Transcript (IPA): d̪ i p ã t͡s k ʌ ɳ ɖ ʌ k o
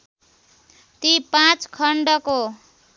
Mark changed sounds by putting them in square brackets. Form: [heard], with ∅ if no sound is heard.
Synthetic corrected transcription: [t̪] i p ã t͡s [kʰ] ʌ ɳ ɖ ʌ k o